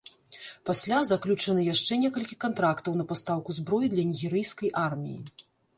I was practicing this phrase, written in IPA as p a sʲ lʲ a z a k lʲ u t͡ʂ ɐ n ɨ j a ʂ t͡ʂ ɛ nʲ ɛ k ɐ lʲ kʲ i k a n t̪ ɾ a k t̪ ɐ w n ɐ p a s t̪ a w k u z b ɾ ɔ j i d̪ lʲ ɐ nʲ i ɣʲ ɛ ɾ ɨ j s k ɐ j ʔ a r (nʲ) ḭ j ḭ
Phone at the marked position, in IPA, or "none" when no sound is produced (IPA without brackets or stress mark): mʲ